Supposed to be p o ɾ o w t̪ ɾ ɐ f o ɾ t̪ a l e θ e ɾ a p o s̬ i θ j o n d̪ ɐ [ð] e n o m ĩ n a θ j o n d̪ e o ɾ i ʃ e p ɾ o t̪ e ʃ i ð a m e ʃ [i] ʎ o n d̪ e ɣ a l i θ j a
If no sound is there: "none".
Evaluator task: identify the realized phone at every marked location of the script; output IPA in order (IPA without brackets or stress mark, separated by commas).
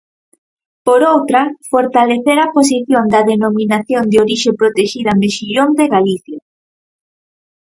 ð, i